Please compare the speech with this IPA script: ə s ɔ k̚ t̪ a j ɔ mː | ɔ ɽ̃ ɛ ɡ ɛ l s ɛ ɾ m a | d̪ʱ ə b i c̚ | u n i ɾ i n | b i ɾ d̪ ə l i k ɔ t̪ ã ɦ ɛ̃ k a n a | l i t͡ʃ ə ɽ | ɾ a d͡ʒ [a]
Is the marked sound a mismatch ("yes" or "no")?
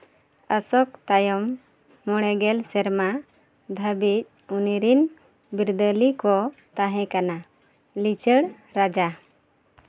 no